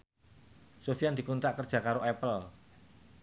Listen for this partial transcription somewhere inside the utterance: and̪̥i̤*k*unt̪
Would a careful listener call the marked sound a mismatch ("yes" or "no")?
no